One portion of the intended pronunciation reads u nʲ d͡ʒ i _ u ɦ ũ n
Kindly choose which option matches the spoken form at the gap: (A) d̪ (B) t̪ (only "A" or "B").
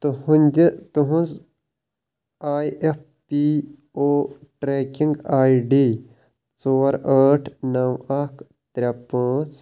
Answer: B